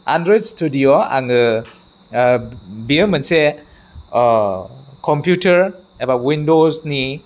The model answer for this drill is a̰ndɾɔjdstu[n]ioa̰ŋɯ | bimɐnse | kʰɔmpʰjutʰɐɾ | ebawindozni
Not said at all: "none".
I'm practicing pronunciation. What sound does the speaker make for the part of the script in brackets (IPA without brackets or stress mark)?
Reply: d